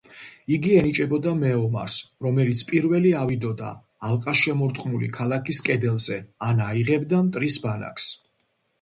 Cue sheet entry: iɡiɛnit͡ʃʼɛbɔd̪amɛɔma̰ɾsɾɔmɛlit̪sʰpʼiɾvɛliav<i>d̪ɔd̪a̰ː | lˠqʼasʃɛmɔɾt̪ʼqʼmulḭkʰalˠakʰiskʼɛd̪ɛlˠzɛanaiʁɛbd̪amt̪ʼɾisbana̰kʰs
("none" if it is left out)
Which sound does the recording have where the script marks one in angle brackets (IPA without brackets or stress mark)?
i